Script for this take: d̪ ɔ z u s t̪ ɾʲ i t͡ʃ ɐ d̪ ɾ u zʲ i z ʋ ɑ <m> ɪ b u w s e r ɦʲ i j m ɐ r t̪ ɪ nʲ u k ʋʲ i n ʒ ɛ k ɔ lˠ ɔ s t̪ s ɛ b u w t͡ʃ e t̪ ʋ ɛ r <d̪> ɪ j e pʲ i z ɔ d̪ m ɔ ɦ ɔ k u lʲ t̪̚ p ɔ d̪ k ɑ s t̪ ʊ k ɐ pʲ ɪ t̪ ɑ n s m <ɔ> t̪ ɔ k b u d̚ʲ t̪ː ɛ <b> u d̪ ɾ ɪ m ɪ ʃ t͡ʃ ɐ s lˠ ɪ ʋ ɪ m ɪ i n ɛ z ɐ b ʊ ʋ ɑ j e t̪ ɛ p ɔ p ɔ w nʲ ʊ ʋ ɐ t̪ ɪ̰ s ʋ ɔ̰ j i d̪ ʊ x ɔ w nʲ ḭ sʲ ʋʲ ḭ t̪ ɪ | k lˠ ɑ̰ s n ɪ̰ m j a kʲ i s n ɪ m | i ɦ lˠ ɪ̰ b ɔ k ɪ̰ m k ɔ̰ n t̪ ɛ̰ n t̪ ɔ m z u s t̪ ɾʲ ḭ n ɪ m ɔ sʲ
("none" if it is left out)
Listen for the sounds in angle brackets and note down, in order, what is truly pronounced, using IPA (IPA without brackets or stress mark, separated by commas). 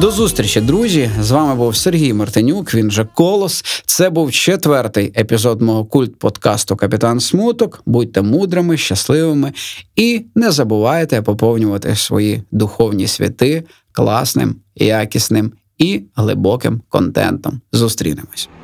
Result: m, t̪, u, m